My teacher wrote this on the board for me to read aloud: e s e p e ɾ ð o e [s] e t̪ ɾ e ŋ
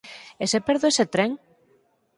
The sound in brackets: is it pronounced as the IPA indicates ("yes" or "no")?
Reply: yes